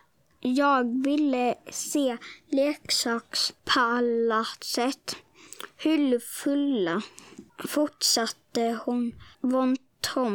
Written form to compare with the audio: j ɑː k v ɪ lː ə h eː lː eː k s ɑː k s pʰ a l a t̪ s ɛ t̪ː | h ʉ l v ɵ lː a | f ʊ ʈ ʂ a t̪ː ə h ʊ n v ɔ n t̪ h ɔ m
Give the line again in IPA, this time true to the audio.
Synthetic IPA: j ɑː ɡ v ɪ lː ə s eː l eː k s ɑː k s pʰ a l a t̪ s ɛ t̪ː | h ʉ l f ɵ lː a | f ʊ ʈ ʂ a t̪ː ə h ʊ n v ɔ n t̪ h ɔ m